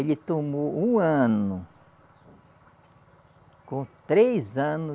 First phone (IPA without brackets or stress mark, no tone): e